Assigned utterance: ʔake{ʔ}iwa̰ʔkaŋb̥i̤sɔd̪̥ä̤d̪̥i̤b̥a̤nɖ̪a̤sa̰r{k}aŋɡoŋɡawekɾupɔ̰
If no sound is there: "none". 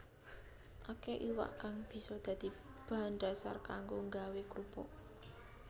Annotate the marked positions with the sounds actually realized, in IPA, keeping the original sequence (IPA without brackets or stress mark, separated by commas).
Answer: ʔ, k